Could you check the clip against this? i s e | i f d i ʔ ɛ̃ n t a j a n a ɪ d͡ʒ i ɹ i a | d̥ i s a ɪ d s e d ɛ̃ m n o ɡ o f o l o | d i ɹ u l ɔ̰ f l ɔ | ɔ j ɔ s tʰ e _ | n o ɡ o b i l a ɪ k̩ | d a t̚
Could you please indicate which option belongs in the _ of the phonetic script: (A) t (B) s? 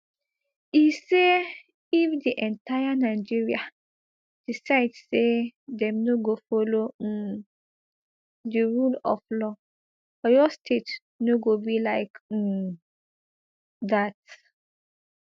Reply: A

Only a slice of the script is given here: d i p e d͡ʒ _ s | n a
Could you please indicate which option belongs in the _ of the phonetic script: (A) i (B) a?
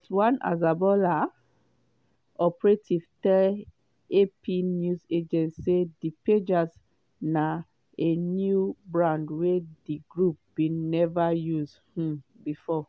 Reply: B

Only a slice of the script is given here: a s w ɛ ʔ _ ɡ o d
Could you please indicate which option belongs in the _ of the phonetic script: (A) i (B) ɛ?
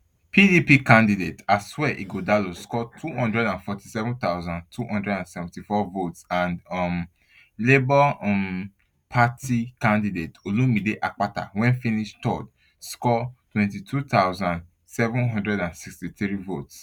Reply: A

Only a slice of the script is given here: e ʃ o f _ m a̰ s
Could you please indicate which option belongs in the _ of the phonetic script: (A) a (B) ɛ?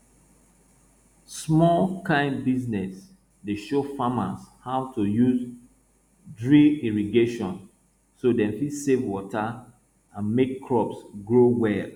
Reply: A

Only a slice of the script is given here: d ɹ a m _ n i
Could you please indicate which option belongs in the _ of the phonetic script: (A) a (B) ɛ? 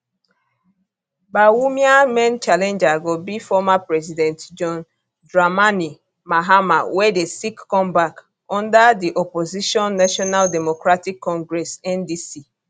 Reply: A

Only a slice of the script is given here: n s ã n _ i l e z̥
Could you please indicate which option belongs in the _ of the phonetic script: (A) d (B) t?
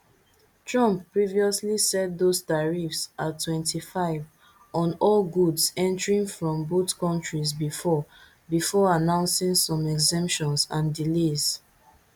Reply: A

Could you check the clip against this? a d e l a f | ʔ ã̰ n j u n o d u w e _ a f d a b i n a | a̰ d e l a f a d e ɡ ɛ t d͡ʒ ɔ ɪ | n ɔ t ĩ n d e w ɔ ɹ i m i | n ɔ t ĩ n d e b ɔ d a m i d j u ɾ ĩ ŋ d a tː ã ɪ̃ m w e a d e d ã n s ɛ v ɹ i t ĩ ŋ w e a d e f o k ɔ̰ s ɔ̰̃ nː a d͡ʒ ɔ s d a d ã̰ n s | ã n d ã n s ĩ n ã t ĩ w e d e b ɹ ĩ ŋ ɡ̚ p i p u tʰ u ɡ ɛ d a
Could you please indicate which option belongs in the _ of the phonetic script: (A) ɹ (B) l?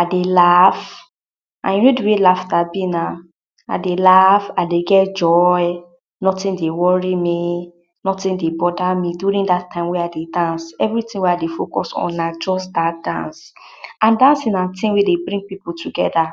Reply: B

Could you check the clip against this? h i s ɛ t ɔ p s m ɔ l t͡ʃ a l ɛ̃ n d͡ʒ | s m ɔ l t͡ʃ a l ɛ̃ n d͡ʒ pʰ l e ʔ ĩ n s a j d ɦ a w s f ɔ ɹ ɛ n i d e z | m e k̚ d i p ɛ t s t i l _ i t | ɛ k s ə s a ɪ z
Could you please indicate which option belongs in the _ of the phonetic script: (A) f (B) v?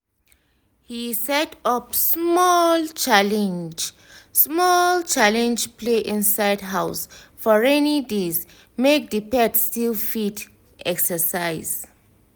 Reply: A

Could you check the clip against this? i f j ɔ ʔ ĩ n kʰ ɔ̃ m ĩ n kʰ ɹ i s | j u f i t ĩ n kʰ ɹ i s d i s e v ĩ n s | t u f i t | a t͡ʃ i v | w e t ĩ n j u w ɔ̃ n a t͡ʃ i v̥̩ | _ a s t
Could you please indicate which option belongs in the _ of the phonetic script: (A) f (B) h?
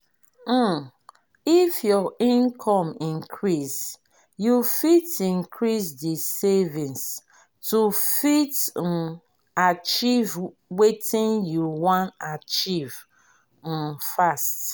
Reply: A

